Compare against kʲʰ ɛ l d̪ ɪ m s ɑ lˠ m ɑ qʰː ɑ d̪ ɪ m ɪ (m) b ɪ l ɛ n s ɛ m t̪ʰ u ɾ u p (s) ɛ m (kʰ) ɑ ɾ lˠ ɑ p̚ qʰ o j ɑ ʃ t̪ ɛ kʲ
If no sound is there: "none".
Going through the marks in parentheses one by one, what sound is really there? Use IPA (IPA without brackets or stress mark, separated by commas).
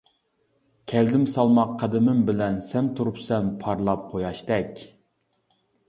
m, s, pʰ